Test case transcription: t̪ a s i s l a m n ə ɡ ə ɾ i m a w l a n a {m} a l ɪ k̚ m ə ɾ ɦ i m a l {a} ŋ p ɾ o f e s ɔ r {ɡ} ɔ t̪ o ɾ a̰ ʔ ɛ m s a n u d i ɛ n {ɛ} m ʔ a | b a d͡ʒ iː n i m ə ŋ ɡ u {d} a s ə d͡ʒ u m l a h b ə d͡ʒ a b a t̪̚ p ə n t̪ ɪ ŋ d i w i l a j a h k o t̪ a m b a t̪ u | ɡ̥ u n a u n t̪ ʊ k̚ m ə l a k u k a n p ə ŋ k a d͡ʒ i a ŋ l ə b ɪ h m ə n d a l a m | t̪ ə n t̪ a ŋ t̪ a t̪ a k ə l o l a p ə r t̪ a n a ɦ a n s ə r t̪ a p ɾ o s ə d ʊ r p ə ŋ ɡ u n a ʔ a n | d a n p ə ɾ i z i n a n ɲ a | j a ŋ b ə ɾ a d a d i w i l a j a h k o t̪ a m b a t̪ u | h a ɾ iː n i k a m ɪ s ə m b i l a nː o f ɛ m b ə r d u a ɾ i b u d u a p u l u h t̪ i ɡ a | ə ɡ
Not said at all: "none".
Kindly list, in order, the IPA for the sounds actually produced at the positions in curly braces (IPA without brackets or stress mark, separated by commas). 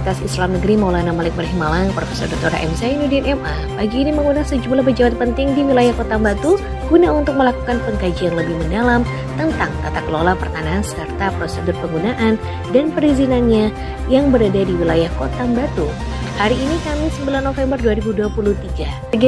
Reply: m, a, d, ɛ, n